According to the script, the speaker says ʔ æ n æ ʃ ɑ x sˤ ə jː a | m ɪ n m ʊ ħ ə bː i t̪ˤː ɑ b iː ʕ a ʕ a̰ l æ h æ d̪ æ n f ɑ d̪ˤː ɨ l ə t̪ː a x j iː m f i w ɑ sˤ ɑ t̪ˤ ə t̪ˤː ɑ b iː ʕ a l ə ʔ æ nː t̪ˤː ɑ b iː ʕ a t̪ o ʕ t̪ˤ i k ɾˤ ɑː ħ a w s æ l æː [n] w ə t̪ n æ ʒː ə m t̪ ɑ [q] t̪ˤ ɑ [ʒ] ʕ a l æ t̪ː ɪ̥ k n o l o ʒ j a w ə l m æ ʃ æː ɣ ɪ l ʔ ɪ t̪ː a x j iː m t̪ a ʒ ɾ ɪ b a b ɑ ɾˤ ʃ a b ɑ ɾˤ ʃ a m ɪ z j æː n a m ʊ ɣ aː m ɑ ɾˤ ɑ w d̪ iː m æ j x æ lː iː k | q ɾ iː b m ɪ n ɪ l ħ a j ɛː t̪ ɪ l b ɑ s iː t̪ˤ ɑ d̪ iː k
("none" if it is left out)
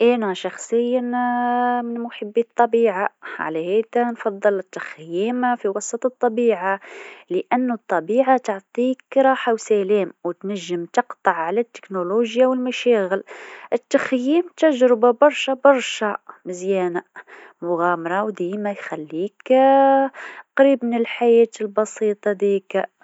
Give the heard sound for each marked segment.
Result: m, q, ʕ

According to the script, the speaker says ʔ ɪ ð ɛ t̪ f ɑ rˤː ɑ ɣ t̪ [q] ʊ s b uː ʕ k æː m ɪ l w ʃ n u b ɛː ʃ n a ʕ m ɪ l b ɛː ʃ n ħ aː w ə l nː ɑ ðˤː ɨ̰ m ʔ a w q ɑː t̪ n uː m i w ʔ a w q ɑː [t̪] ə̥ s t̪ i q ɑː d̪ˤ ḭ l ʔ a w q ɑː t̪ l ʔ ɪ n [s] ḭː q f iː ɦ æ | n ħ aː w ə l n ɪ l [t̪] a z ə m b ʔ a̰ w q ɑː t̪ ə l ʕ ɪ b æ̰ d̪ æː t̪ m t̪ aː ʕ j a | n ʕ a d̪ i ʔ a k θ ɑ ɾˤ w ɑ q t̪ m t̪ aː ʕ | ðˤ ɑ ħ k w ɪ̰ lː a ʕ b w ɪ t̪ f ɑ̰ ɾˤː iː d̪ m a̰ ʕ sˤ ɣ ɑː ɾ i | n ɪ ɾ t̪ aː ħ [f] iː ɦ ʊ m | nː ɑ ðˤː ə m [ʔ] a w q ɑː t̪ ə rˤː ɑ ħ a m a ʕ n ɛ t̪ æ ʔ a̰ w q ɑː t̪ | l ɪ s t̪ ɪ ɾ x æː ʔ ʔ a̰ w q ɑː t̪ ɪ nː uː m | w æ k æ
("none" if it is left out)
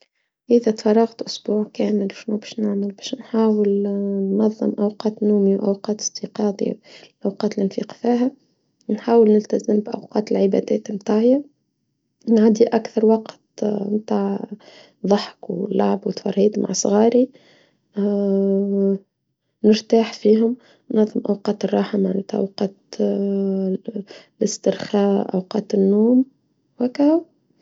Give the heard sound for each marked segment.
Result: ʔ, t̪, f, t̪, f, ʔ

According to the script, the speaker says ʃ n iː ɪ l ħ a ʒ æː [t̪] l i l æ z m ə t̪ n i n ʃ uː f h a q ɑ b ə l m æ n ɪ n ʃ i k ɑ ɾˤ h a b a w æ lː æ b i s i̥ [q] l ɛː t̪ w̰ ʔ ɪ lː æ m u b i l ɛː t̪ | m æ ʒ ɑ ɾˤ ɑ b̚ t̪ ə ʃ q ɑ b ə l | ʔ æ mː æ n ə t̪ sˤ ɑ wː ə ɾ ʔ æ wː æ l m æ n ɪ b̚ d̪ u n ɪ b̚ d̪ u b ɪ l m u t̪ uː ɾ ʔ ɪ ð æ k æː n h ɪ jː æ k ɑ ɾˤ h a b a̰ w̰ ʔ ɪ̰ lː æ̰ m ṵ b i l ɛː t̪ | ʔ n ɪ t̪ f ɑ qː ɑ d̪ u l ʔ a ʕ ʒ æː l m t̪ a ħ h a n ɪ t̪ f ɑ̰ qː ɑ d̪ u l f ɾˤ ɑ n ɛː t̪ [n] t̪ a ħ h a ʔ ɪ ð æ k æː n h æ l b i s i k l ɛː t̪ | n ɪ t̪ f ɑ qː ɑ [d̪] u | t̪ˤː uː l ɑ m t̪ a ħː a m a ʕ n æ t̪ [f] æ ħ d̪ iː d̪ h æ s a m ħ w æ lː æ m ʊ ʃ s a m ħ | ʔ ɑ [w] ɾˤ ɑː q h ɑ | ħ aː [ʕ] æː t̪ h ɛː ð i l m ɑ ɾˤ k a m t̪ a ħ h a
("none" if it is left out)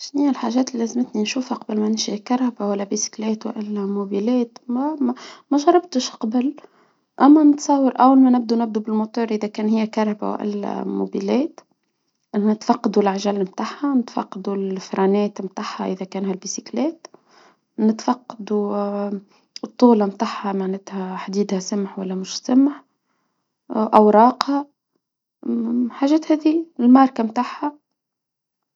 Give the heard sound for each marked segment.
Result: t̪, k, m, d̪, h, w, ʒ

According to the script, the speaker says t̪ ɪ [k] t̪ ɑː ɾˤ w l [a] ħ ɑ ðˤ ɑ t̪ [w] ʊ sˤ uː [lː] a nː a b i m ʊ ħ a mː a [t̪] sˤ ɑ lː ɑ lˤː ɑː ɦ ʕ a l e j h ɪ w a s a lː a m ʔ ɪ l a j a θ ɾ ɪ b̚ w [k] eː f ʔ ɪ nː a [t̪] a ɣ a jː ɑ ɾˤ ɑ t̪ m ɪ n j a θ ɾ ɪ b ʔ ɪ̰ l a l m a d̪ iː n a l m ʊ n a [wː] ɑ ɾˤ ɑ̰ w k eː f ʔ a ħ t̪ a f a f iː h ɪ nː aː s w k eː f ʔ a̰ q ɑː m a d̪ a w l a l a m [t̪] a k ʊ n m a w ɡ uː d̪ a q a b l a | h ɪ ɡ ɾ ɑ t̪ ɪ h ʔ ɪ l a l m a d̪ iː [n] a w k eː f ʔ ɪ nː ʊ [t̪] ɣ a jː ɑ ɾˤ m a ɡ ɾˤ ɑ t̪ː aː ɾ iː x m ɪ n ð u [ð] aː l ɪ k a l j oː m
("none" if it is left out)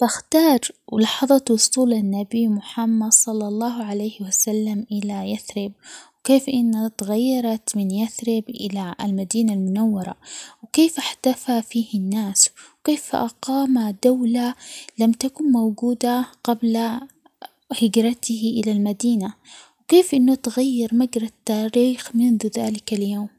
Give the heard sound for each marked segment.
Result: x, ɑ, w, l, d̪, k, t̪, wː, t̪, n, t̪, ð

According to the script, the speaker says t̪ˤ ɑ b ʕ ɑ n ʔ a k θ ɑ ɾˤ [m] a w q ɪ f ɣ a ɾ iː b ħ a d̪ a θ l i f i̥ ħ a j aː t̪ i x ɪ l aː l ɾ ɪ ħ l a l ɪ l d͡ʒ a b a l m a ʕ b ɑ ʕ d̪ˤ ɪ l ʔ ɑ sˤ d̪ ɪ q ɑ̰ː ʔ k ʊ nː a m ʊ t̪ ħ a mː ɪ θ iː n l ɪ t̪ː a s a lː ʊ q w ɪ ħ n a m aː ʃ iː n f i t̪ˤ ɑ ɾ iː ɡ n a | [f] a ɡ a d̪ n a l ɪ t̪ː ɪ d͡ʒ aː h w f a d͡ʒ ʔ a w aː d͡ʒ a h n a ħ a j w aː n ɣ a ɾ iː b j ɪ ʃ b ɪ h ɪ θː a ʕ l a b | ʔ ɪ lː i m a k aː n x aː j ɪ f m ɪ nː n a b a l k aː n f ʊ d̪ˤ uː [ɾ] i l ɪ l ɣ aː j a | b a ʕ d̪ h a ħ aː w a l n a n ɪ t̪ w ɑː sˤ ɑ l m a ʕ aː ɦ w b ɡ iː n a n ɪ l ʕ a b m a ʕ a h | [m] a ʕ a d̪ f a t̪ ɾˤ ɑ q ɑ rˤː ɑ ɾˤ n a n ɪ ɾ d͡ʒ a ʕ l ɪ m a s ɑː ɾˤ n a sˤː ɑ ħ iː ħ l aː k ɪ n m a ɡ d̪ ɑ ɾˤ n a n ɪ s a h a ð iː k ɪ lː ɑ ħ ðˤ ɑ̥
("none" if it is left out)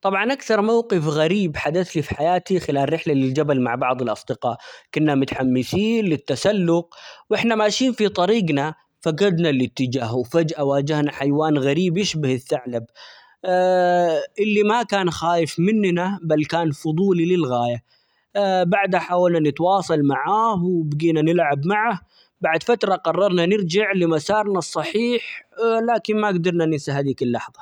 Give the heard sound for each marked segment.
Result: m, f, l, b

